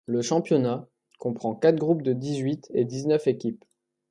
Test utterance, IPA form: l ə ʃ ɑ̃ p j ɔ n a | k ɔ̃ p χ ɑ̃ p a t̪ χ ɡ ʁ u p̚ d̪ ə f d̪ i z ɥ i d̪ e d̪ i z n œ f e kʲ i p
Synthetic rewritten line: l ə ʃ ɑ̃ p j ɔ n a | k ɔ̃ p χ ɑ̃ k a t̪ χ ɡ ʁ u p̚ d̪ ə d̪ i z ɥ i t̪ e d̪ i z n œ f e kʲ i p